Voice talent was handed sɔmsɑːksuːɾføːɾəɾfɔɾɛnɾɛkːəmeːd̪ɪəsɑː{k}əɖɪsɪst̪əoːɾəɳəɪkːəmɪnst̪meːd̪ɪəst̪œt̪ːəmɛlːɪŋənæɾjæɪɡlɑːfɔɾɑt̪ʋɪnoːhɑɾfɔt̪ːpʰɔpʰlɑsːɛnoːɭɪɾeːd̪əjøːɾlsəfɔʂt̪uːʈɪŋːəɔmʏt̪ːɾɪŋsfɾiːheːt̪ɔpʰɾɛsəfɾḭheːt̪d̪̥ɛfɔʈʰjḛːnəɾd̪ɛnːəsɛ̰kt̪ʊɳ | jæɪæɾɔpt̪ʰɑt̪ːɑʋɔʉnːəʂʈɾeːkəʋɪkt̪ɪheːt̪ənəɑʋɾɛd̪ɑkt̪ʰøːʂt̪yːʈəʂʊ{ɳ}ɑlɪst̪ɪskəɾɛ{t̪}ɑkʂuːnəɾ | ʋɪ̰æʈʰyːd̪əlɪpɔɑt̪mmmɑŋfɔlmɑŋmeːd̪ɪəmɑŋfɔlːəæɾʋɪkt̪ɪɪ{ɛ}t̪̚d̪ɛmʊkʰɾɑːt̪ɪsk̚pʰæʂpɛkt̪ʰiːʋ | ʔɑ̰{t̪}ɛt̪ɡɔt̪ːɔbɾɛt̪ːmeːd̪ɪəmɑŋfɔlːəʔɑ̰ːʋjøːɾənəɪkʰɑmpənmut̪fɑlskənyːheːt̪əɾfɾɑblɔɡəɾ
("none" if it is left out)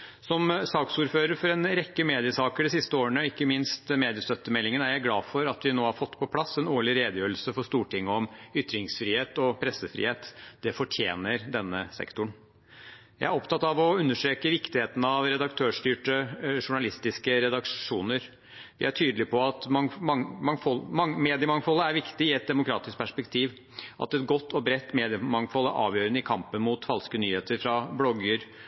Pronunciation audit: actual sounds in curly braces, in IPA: k, ɳ, d̪, ɛ, t̪

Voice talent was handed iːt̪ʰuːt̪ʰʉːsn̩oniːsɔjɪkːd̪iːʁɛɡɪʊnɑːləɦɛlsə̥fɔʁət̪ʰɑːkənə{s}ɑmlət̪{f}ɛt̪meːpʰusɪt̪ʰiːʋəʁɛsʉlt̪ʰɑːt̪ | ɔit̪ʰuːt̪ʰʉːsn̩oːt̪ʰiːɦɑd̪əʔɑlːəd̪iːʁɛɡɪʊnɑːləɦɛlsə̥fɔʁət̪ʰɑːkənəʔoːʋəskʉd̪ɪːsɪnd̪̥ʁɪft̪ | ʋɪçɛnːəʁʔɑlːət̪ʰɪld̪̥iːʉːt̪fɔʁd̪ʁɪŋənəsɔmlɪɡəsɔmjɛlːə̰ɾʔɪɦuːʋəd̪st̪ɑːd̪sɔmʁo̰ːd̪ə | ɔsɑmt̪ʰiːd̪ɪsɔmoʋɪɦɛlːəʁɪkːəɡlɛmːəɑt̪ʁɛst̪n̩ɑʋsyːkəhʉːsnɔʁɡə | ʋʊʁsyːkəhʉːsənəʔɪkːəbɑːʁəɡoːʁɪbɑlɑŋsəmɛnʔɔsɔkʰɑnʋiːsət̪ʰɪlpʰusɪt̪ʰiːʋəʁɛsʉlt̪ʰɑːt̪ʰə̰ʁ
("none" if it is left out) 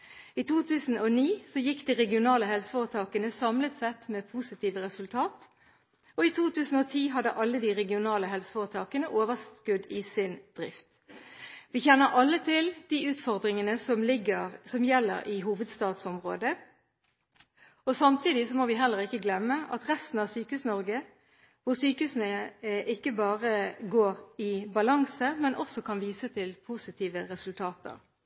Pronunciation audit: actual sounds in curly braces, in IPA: s, s

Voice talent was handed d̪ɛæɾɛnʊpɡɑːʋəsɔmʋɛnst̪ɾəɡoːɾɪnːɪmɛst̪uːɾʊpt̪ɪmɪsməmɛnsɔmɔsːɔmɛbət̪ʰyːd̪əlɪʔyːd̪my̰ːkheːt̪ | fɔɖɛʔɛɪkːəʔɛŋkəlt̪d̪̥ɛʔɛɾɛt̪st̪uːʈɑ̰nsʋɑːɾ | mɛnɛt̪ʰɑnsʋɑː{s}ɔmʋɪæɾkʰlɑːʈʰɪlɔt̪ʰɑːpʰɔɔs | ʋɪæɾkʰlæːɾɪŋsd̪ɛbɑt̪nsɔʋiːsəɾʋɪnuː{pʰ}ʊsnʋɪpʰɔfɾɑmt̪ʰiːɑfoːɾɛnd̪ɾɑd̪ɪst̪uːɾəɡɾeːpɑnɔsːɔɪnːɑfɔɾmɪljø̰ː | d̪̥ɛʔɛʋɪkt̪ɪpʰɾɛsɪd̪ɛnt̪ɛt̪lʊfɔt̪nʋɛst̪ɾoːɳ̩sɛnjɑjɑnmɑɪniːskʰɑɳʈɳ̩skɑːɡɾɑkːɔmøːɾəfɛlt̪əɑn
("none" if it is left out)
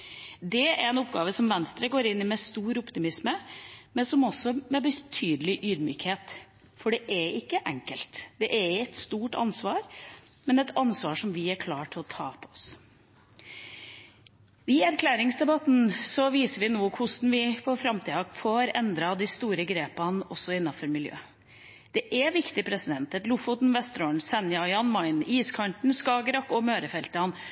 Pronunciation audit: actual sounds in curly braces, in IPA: ʂ, kʰ

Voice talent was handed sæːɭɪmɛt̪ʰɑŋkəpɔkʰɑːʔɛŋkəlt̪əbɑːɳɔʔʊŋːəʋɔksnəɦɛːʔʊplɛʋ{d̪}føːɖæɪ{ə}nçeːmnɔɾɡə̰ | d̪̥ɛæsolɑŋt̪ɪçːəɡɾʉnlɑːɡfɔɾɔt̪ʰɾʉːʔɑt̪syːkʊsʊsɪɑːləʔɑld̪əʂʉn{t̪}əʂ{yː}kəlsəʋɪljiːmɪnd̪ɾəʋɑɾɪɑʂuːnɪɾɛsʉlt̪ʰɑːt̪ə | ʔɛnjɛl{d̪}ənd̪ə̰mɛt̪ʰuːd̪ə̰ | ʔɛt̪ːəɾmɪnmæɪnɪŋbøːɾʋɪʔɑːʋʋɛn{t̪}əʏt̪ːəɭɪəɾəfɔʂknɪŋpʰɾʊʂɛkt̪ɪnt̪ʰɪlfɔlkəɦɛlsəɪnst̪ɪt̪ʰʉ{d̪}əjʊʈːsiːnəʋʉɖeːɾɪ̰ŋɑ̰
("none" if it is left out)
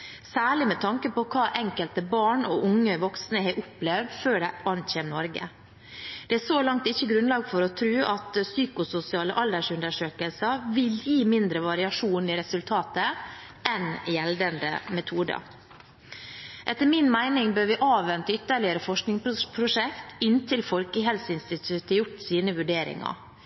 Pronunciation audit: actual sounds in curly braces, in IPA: d̪, ɑ, d̪, øː, d̪, t̪, t̪

